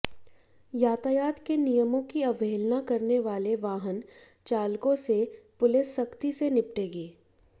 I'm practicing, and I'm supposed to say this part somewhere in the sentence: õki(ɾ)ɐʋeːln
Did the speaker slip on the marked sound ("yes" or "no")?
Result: yes